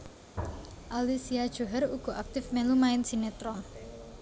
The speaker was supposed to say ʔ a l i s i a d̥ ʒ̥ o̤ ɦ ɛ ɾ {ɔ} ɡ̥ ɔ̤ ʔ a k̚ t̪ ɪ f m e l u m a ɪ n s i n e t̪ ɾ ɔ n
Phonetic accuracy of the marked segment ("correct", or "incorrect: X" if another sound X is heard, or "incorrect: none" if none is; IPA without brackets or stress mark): incorrect: u